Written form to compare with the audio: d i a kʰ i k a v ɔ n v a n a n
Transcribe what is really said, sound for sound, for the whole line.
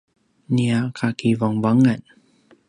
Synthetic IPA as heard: n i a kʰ a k i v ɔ ŋ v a ŋ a n